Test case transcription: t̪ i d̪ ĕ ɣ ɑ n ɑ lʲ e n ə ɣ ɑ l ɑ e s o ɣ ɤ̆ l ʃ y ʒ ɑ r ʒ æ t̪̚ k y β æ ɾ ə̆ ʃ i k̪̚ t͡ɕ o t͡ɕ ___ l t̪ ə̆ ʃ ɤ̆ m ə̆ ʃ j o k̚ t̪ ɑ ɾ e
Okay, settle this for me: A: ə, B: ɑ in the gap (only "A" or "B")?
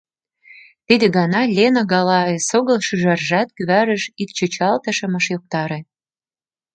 B